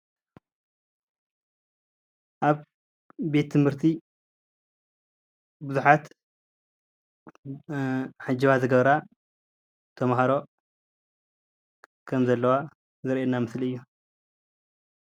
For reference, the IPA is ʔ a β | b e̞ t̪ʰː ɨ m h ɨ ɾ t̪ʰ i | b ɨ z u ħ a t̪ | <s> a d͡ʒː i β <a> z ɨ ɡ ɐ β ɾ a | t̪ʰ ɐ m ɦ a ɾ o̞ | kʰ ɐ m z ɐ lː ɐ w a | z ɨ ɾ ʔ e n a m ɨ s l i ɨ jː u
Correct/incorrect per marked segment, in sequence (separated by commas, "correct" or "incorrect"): incorrect, correct